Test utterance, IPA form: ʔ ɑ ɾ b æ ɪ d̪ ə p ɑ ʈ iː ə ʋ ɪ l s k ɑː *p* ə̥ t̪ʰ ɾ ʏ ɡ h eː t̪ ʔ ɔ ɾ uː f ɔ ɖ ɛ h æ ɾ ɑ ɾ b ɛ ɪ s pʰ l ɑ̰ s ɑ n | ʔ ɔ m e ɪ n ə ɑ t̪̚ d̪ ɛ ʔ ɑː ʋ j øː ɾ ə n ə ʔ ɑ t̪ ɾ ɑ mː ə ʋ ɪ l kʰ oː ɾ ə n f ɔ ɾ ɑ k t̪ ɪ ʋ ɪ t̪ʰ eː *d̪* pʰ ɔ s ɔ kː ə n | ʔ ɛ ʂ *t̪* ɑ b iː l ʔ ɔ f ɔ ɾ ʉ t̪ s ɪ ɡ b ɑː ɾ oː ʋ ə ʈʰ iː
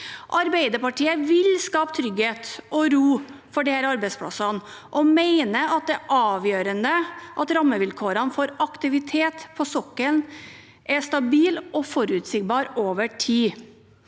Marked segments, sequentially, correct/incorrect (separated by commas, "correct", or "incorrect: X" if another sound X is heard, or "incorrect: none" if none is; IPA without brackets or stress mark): correct, incorrect: t̪, correct